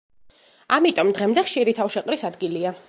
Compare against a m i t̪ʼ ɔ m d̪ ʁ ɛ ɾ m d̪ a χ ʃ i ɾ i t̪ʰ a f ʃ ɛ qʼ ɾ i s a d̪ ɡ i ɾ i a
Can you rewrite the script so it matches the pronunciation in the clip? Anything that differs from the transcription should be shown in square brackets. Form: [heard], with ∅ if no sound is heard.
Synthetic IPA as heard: a m i t̪ʼ ɔ m d̪ ʁ ɛ [∅] m d̪ [ɛ] χ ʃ i ɾ i t̪ʰ a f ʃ ɛ qʼ ɾ i s a d̪ ɡ i [l] i a